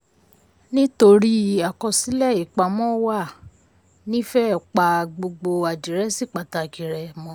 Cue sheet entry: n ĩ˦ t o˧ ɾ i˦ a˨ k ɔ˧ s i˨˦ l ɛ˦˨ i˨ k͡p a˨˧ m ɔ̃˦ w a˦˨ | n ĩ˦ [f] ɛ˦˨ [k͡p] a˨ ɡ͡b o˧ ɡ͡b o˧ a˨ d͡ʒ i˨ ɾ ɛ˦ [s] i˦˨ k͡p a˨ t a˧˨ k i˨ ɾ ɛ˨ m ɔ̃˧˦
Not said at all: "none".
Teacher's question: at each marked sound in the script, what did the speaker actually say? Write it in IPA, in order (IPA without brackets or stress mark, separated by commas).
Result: f, k͡p, s